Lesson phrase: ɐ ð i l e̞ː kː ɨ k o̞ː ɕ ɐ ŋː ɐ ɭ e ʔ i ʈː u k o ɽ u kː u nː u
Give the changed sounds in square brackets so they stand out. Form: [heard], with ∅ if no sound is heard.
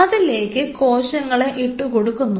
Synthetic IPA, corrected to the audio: ɐ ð i l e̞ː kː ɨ k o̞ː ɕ ɐ ŋː ɐ ɭ e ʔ i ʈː u k o ɽ u kː u nː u